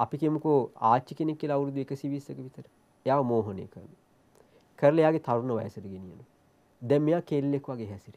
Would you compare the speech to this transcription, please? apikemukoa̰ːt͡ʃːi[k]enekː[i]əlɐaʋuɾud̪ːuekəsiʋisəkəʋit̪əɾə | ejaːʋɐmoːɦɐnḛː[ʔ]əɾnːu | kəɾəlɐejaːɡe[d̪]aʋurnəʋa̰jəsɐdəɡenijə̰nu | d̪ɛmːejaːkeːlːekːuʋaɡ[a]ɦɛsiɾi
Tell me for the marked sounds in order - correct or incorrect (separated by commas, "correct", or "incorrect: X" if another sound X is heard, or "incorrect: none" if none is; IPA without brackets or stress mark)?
correct, correct, incorrect: k, incorrect: t̪, incorrect: e